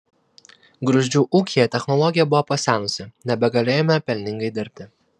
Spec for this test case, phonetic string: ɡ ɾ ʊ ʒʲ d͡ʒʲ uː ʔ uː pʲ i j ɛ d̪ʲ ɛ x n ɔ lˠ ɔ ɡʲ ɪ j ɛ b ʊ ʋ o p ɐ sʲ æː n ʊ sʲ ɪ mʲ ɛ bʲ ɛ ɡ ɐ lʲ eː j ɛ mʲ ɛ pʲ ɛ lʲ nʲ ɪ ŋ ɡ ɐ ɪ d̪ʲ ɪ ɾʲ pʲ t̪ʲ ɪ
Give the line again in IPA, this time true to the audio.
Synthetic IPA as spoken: ɡ ɾ ʊ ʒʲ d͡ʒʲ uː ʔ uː kʲ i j ɛ t̪ʲ ɛ x n ɔ lˠ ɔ ɡʲ ɪ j ɛ b ʊ ʋ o p ɐ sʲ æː n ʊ sʲ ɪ nʲ ɛ bʲ ɛ ɡ ɐ lʲ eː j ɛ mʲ ɛ pʲ ɛ lʲ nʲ ɪ ŋ ɡ ɐ ɪ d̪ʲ ɪ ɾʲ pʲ t̪ʲ ɪ